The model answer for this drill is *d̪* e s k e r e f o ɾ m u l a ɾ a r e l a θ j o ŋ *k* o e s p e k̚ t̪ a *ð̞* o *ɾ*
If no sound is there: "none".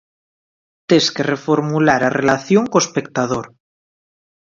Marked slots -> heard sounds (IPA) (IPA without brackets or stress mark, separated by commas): t̪, k, ð̞, ɾ